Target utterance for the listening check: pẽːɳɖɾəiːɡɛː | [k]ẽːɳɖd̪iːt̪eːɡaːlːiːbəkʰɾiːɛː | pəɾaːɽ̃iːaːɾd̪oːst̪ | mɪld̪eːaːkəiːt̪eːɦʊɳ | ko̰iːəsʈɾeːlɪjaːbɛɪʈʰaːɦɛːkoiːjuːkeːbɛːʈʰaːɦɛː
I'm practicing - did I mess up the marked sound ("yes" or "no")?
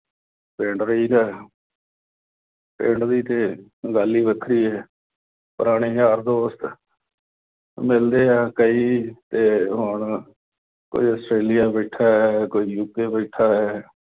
yes